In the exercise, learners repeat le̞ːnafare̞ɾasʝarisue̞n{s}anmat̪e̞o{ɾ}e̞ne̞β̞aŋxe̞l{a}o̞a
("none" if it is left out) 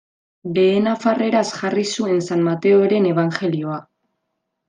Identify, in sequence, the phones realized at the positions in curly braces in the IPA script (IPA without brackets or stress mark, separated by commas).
s, ɾ, i